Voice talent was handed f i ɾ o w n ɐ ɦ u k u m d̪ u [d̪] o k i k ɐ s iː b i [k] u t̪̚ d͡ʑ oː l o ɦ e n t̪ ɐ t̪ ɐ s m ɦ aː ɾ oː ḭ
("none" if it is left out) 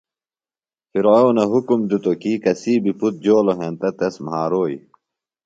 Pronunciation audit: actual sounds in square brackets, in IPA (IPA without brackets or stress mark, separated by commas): t̪, p